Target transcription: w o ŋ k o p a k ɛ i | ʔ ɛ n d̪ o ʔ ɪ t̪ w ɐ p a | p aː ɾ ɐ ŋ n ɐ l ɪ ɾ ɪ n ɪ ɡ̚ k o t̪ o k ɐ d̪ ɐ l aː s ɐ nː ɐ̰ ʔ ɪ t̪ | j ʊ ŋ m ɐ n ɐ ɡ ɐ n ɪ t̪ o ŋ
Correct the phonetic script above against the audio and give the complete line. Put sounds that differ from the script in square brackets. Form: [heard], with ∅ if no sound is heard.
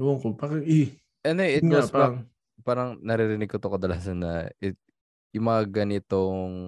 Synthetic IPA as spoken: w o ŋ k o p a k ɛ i | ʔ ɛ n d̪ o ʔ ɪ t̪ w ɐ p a | p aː ɾ ɐ ŋ n ɐ [ɾ] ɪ ɾ ɪ n ɪ ɡ̚ k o t̪ o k ɐ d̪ ɐ l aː s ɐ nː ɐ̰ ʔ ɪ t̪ | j ʊ ŋ m ɐ [ŋ] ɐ ɡ ɐ n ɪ t̪ o ŋ